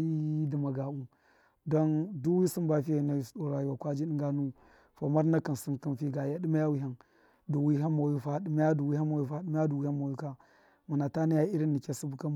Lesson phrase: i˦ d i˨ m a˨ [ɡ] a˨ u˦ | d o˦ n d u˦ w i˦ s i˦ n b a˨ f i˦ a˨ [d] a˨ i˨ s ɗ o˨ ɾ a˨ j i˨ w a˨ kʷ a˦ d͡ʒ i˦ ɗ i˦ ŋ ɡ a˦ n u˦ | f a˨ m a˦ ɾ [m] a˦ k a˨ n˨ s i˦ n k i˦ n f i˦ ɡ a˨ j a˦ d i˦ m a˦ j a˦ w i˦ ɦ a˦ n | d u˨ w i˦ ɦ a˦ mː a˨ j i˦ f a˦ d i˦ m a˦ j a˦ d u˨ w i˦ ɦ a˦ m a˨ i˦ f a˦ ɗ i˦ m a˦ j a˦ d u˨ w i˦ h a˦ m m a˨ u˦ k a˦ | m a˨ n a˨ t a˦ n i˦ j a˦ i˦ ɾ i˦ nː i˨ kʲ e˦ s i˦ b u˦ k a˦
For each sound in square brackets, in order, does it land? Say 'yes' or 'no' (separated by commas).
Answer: yes, no, no